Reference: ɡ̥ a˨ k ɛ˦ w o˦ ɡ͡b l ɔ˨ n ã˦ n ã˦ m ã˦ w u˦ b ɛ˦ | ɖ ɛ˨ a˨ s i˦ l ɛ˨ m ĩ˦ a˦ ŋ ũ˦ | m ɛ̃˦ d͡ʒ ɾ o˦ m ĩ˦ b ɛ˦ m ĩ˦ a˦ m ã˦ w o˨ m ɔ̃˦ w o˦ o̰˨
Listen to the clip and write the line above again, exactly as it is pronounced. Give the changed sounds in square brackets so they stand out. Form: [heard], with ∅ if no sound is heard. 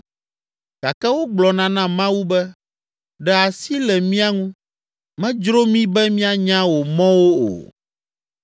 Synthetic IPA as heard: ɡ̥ a˨ k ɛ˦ w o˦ ɡ͡b l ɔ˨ n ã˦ n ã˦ m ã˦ w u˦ b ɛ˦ | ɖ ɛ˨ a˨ s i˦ l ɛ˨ m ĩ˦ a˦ ŋ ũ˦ | m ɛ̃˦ d͡ʒ ɾ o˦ m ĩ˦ b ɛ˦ m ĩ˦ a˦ [ɲ] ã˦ w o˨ m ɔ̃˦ w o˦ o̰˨